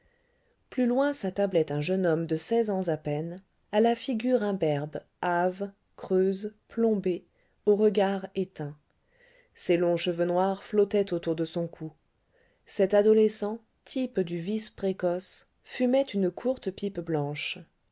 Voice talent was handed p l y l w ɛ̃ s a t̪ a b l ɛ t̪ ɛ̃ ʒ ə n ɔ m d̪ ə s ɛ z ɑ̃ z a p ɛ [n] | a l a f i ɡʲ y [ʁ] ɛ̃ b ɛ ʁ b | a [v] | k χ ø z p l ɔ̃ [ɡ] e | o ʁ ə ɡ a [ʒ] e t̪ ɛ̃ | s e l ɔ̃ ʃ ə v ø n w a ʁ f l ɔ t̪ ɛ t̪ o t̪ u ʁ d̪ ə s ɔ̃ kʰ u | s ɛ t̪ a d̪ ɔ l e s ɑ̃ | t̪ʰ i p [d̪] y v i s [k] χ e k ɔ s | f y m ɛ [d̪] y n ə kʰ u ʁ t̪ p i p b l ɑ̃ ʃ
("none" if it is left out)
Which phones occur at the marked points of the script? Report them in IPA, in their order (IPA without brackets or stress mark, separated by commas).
n, ʁ, v, b, ʁ, d̪, p, t̪